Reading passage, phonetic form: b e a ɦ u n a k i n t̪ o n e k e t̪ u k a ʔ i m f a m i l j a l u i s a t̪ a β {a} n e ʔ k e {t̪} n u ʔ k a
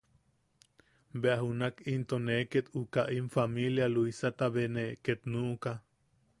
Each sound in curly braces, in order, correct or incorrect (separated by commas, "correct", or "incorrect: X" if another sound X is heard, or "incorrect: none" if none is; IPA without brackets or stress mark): incorrect: e, correct